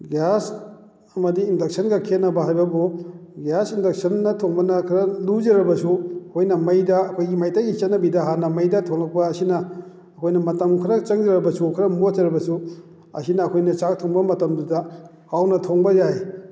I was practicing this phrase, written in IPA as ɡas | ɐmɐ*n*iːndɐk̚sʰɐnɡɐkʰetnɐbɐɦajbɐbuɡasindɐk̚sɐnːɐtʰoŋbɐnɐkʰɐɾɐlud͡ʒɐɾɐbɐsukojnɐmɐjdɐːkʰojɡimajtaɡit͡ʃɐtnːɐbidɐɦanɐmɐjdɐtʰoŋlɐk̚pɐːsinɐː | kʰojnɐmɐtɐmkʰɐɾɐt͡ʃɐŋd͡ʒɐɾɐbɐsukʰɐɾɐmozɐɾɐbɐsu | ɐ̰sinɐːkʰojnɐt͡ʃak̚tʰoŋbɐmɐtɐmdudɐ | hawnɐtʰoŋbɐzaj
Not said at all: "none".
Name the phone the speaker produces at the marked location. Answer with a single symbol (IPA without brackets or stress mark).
d